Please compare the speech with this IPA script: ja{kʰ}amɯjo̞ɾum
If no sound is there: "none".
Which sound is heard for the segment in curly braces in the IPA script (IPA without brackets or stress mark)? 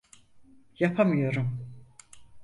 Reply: pʰ